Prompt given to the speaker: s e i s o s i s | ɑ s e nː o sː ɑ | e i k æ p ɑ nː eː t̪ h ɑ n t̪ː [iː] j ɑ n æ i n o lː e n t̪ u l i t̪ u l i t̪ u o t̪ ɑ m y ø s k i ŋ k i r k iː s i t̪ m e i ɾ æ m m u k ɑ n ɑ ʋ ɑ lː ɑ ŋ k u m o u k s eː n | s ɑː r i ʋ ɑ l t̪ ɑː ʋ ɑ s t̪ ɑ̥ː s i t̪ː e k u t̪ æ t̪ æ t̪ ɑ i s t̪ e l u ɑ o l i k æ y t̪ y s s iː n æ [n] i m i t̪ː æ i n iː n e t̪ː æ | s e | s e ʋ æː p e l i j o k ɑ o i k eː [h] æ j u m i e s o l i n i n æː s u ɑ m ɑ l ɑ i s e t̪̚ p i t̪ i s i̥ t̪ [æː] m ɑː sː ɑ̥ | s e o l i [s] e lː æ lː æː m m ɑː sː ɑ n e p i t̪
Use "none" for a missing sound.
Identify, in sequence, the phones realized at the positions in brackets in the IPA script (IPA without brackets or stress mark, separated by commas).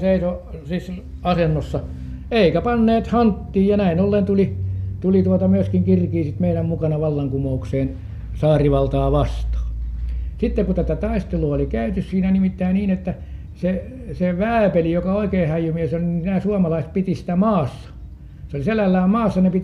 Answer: iː, n, h, æ, s